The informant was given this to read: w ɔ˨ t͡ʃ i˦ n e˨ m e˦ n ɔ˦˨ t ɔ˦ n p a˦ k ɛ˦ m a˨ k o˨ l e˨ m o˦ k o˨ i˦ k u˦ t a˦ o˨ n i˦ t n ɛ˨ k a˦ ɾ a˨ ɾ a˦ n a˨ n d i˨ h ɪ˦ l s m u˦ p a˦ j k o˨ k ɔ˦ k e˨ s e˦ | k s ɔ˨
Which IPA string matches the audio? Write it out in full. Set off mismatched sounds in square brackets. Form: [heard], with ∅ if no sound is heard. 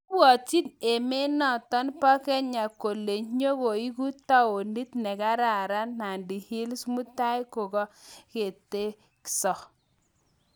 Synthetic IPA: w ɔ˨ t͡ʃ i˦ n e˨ m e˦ n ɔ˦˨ t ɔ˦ n p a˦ k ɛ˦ [ɲ] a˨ k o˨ l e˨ [ɲ] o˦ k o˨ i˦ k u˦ t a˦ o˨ n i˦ t n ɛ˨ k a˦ ɾ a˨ ɾ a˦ n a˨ n d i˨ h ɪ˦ l s m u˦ [t] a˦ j k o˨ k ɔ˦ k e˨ [t] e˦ | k s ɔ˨